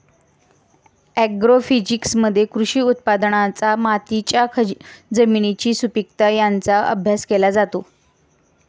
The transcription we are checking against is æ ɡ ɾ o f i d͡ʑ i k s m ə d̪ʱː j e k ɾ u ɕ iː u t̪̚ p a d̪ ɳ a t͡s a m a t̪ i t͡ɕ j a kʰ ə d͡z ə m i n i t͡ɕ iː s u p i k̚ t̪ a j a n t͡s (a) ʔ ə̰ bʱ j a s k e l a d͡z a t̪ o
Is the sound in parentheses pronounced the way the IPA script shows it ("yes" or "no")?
yes